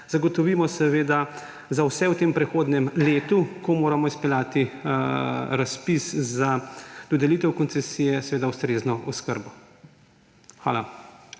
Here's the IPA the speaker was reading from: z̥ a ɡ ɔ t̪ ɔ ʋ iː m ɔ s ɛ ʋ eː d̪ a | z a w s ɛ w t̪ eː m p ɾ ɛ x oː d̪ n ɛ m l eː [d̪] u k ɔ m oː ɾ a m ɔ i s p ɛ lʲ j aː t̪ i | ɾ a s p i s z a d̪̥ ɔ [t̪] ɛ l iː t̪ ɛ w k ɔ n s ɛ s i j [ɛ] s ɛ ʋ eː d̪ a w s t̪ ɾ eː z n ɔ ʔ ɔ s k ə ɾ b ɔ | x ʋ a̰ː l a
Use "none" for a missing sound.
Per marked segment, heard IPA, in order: t̪, d̪, ɛ

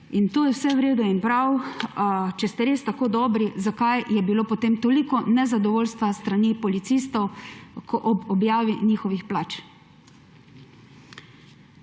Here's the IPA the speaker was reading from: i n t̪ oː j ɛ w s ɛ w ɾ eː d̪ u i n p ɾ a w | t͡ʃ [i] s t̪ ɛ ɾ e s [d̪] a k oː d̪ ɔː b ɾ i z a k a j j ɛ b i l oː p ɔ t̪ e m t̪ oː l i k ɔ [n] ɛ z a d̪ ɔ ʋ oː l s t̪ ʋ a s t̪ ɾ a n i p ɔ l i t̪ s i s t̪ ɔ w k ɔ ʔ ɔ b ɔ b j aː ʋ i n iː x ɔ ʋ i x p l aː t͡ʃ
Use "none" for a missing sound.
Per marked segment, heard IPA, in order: ɛ, t̪, n

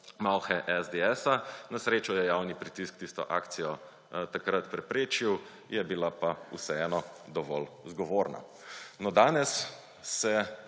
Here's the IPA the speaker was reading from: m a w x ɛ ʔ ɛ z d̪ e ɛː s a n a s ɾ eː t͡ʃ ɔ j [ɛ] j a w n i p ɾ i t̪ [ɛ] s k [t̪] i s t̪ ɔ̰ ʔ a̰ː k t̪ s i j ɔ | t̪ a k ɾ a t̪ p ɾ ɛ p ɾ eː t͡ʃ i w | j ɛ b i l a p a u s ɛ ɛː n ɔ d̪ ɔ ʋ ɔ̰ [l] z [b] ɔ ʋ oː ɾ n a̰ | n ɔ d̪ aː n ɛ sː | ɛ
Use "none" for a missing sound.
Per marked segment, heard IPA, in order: ɛ, i, t̪, l, ɡ

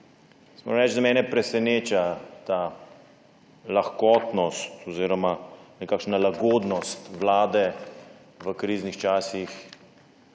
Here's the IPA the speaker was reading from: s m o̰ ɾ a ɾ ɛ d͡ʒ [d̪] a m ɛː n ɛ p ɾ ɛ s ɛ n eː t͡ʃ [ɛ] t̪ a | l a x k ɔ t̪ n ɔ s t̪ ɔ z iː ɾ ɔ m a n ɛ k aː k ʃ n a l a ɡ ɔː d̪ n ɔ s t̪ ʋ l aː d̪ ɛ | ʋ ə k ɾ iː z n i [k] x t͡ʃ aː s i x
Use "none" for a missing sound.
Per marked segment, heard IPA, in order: d̪, a, none

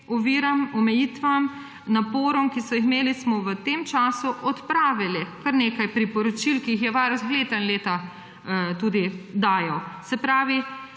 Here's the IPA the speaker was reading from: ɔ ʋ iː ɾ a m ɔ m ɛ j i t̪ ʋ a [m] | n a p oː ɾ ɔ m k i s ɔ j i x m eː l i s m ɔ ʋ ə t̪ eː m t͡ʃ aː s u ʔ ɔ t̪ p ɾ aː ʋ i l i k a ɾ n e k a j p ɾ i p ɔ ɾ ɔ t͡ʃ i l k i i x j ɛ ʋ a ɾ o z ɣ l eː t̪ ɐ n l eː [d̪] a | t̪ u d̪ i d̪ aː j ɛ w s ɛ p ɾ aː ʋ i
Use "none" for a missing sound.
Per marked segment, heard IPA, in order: m, t̪

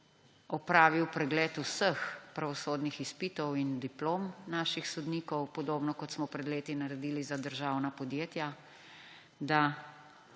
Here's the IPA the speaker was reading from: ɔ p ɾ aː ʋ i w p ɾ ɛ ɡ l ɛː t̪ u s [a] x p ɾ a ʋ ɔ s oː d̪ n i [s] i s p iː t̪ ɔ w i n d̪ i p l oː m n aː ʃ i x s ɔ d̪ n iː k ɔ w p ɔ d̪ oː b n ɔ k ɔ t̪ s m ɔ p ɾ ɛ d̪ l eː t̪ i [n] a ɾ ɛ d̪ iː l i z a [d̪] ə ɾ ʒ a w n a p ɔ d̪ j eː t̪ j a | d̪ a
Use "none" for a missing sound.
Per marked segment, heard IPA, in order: ə, x, n, d̪

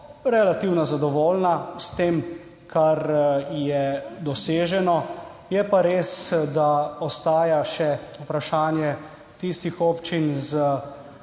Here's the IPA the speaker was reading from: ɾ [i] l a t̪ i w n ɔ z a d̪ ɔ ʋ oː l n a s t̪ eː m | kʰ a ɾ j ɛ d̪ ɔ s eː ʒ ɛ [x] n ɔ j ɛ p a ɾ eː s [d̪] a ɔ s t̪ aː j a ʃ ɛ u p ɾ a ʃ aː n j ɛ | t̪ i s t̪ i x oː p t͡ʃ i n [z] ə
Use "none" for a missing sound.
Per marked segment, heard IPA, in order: ɛ, none, d̪, z

